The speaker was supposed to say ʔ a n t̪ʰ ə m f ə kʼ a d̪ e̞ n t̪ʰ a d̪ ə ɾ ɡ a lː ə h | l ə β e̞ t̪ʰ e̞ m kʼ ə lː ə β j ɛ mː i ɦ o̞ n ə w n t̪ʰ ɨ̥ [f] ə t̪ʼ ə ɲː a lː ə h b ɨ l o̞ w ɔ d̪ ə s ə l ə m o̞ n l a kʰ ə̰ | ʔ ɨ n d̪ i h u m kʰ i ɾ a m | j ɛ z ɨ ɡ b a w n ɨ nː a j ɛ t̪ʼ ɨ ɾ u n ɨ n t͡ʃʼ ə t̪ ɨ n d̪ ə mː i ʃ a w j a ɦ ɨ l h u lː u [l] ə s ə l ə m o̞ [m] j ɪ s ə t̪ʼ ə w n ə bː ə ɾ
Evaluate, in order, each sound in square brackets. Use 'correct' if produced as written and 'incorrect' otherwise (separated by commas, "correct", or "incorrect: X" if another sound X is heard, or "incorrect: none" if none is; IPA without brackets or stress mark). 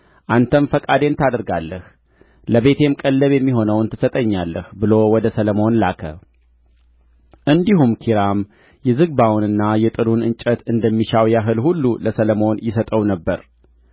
incorrect: s, correct, incorrect: n